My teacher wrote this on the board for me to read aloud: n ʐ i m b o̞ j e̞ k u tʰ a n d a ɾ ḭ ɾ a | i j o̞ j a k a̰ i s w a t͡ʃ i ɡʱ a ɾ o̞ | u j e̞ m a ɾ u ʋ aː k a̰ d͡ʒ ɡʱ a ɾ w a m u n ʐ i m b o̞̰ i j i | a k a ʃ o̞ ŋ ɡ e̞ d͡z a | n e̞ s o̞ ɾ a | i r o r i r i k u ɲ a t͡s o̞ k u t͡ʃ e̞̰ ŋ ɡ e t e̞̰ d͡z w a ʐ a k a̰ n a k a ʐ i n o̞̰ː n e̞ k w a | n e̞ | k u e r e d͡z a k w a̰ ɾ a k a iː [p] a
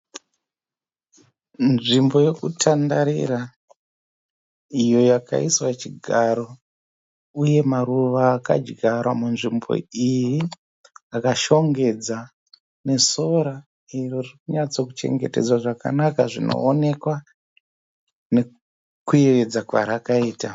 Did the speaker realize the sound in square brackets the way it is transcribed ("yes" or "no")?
no